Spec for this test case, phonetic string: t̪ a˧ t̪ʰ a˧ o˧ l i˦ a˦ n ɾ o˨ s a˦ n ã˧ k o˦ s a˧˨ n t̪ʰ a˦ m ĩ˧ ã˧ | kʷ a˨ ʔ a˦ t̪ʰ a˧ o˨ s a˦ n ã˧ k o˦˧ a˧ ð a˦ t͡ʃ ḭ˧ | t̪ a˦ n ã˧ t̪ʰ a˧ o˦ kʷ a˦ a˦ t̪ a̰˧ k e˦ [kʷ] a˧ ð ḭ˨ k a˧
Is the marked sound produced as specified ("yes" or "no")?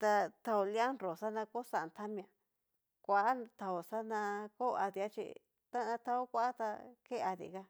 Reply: no